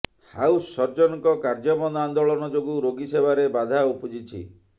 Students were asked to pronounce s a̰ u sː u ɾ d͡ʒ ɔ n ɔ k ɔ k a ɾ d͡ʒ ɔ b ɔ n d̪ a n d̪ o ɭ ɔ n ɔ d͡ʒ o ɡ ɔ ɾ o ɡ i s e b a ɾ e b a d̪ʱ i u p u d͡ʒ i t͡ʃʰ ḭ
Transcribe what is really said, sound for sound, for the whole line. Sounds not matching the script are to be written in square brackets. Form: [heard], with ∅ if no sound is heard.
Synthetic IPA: [h] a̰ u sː [ɔ] ɾ d͡ʒ ɔ n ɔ k ɔ k a ɾ d͡ʒ ɔ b ɔ n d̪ a n d̪ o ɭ ɔ n ɔ d͡ʒ o ɡ [u] ɾ o ɡ i s e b a ɾ e b a d̪ʱ [a] u p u d͡ʒ i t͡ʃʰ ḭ